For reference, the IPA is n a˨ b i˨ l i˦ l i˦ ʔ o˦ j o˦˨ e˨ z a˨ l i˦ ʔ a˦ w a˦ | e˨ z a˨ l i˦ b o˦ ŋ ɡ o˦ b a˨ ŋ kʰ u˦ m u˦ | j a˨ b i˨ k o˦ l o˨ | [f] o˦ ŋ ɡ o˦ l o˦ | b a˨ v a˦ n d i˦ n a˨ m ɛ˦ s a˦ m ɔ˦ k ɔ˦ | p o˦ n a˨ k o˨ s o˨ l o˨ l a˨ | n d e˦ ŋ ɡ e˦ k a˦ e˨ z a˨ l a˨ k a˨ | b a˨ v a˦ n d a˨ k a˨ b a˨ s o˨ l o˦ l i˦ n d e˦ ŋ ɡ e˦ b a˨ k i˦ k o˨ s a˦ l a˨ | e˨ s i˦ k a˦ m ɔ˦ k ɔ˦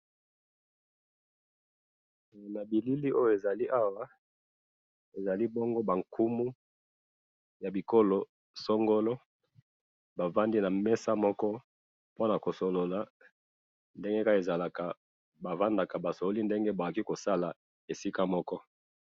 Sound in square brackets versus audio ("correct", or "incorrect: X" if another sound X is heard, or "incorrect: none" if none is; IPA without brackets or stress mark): incorrect: s